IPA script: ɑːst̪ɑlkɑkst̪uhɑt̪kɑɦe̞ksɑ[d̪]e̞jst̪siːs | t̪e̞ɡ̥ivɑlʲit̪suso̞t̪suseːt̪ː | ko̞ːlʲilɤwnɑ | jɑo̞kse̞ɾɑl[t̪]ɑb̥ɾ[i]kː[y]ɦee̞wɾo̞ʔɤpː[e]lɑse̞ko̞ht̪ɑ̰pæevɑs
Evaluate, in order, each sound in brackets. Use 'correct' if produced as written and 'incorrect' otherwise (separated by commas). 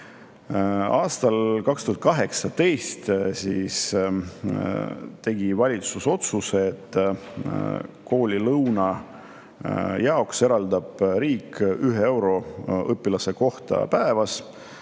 incorrect, incorrect, incorrect, correct, incorrect